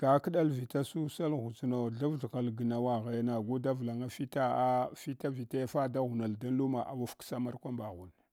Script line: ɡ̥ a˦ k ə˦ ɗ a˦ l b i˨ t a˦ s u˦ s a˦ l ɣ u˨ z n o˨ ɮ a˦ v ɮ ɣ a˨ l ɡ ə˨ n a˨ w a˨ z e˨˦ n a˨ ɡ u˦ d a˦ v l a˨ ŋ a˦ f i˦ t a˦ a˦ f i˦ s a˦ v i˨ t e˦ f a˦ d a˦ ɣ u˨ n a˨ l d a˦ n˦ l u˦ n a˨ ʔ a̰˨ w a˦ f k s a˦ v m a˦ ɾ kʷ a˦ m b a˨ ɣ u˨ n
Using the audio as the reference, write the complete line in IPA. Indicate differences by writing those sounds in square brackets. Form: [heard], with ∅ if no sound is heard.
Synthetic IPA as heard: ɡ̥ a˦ k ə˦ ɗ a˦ l [v] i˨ t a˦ s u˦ s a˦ l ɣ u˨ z n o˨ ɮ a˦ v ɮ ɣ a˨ l ɡ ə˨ n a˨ w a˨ [ɣ] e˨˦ n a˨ ɡ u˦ d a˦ v l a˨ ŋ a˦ f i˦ t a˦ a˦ f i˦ [t] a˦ v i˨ t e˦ f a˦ d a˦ ɣ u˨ n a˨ l d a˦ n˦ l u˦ [m] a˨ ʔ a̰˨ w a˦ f k s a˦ [∅] m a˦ ɾ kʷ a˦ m b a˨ ɣ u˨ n